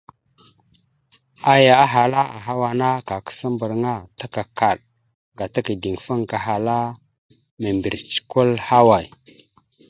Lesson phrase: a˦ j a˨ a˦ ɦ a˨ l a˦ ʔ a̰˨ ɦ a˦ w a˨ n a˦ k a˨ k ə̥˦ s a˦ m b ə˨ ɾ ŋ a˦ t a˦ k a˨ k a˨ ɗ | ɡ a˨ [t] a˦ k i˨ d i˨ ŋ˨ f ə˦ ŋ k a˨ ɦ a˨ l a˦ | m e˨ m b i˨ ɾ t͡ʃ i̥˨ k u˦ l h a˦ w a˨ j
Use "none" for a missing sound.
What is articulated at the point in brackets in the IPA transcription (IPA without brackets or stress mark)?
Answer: t